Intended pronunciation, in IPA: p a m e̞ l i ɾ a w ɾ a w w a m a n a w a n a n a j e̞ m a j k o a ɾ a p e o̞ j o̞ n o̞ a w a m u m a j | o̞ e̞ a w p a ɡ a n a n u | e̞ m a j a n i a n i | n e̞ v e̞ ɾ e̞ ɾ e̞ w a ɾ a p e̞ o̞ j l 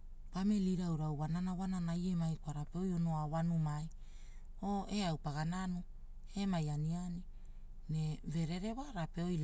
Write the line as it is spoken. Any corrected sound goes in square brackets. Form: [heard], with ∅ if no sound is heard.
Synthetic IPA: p a m e̞ l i ɾ a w ɾ a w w a [n] a n a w a n a n a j e̞ m a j k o a ɾ a p e o̞ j o̞ n o̞ a w a [n] u m a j | o̞ e̞ a w p a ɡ a n a n u | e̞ m a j a n i a n i | n e̞ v e̞ ɾ e̞ ɾ e̞ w a ɾ a p e̞ o̞ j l